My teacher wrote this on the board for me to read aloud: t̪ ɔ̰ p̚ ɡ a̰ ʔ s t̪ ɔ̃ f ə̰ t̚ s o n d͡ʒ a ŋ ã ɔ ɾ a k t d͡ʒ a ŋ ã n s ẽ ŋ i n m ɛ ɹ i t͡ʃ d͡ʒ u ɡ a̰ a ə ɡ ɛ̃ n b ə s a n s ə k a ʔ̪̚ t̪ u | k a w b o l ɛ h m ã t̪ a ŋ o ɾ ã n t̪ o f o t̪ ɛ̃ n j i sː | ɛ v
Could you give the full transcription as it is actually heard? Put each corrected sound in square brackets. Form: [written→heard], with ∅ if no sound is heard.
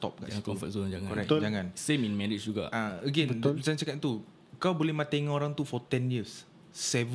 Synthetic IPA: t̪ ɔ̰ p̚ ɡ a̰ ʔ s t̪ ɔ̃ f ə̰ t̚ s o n d͡ʒ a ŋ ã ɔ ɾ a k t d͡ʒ a ŋ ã n s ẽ [ŋ→m] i n m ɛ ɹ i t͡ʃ d͡ʒ u ɡ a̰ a ə ɡ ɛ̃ n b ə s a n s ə k a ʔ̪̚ t̪ u | k a w b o l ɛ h m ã t̪ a ŋ o ɾ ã [n→ŋ] t̪ [o→u] f [o→ɔ] t̪ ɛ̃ n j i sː | ɛ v